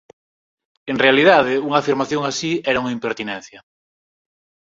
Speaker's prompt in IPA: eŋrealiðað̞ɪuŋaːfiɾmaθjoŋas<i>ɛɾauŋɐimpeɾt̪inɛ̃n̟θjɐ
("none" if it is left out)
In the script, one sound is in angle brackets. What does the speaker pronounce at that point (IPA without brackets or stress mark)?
i